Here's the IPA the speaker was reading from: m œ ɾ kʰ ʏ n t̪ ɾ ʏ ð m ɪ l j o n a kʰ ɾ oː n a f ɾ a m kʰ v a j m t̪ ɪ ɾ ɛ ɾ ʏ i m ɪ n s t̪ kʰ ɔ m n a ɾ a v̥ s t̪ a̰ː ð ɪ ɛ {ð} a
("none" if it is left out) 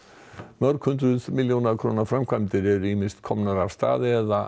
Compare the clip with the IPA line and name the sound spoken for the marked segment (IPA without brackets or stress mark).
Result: ð